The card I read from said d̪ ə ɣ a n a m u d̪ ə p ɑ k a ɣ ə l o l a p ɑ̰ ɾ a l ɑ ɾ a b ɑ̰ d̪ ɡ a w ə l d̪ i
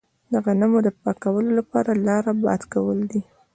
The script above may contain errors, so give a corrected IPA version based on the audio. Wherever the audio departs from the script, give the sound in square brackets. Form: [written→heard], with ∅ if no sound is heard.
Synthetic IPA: d̪ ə ɣ a n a m [u→o] d̪ ə p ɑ k a [ɣ→w] ə l o l a p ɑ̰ ɾ a l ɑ ɾ a b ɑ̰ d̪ [ɡ→k] a w ə l d̪ i